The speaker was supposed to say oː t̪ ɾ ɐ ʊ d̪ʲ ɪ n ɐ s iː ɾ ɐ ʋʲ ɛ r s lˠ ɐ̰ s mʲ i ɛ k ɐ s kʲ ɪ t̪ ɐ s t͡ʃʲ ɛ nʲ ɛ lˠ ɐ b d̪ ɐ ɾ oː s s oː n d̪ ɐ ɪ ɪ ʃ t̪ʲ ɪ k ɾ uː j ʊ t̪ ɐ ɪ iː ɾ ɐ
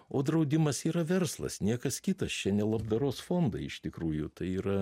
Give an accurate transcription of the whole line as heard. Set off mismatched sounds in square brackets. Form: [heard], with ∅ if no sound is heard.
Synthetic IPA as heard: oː [d̪] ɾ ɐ ʊ d̪ʲ ɪ [m] ɐ s iː ɾ ɐ ʋʲ ɛ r s lˠ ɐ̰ s [nʲ] i ɛ k ɐ s kʲ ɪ t̪ ɐ s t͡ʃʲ ɛ nʲ ɛ lˠ ɐ b d̪ ɐ ɾ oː s [f] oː n d̪ ɐ ɪ ɪ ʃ t̪ʲ ɪ k ɾ uː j ʊ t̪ ɐ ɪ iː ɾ ɐ